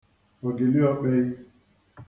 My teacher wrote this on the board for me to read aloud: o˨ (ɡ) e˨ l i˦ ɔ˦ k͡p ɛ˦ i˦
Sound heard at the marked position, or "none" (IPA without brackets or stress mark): ɡ